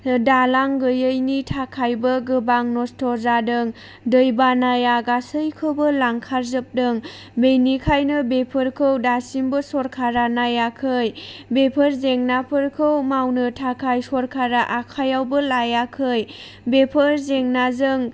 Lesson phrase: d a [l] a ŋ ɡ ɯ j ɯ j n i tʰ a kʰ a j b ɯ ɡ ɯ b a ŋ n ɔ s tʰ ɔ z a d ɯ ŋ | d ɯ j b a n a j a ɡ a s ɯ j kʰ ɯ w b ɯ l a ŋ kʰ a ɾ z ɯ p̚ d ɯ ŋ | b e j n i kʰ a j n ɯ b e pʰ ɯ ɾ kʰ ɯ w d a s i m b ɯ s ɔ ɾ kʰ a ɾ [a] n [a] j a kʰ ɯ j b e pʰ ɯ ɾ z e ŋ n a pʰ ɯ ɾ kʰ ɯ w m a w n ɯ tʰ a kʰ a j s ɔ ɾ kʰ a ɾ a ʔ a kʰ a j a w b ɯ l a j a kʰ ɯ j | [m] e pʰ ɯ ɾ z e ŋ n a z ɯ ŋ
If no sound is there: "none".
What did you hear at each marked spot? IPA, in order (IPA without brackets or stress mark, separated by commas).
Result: l, a, a, b